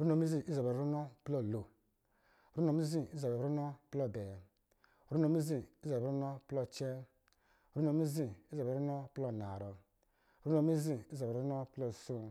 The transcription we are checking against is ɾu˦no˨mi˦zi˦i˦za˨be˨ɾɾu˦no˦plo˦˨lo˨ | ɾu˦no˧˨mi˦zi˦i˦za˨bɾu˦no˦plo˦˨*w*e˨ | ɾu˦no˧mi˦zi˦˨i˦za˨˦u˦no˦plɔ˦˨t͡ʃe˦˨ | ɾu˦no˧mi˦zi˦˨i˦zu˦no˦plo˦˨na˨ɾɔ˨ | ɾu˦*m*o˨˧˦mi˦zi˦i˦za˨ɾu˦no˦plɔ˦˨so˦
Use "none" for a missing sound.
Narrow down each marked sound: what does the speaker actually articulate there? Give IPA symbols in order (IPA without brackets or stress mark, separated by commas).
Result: b, n